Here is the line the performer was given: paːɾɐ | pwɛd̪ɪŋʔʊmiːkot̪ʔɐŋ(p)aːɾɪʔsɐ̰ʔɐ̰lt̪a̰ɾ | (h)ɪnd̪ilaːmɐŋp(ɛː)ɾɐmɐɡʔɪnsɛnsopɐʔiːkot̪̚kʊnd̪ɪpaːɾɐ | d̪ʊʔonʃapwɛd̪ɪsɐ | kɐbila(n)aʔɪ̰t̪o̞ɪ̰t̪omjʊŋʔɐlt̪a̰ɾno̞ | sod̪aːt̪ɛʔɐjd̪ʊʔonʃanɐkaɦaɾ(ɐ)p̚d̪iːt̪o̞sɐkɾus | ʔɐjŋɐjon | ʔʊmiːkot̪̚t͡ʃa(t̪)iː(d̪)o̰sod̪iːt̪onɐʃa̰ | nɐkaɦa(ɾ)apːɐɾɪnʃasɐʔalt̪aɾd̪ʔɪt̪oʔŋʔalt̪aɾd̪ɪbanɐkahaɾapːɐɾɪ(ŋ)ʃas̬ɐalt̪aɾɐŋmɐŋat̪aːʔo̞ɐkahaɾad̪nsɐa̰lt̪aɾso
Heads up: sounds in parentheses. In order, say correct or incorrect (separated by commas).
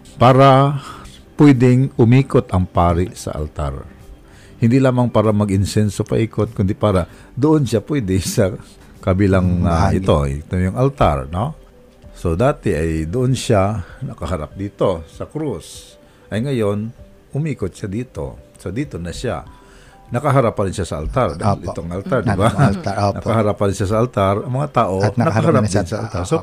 correct, correct, incorrect, incorrect, incorrect, incorrect, incorrect, correct, incorrect